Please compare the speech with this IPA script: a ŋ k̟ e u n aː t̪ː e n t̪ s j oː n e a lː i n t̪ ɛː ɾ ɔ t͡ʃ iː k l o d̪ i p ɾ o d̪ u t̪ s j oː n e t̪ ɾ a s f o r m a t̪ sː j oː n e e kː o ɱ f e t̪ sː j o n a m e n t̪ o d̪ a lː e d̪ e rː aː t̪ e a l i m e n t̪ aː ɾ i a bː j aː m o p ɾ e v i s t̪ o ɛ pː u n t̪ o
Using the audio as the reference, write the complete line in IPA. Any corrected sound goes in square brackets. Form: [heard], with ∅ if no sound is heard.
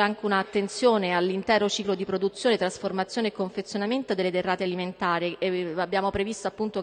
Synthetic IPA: a ŋ k̟ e u n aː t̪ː e n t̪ s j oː n e a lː i n t̪ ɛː ɾ [o] t͡ʃ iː k l o d̪ i p ɾ o d̪ u t̪ s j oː n e t̪ ɾ a s f o r m a t̪ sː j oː n e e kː o ɱ f e t̪ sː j o n a m e n t̪ o d̪ [e] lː e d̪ e rː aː t̪ e a l i m e n t̪ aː ɾ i a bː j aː m o p ɾ e v i s t̪ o [a] pː u n t̪ o